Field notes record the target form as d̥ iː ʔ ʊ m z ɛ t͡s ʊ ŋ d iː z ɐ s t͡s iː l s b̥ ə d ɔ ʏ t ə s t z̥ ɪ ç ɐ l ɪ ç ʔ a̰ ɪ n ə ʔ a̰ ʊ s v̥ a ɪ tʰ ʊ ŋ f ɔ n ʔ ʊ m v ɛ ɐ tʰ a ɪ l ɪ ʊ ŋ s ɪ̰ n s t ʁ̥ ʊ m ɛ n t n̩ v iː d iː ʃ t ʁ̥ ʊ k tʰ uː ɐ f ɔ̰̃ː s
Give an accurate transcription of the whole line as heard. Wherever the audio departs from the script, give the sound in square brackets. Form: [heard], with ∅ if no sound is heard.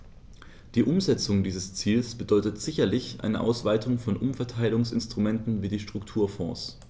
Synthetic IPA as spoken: d̥ iː ʔ ʊ m z ɛ t͡s ʊ ŋ d iː z [ə] s t͡s iː l s b̥ ə d ɔ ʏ t ə [∅] t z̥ ɪ ç ɐ l ɪ ç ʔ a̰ ɪ n ə ʔ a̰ ʊ s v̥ a ɪ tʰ ʊ ŋ f ɔ n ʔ ʊ m [f] ɛ ɐ tʰ a ɪ l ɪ ʊ ŋ s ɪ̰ n s t ʁ̥ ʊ m ɛ n t n̩ v iː d iː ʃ t ʁ̥ ʊ k tʰ uː ɐ f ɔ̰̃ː s